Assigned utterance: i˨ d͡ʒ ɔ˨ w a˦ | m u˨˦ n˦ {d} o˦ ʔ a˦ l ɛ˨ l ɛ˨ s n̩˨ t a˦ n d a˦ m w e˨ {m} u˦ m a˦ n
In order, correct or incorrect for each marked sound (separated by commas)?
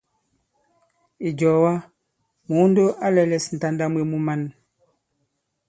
correct, correct